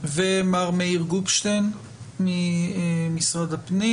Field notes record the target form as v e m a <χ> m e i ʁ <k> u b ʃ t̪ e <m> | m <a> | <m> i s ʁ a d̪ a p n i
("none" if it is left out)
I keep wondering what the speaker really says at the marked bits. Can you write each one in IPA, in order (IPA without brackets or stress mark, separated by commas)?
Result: ʁ, ɡ, n, i, m